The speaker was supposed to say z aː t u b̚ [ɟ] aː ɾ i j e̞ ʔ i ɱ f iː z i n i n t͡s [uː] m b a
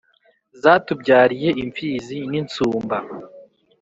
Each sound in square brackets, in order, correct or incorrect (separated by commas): correct, correct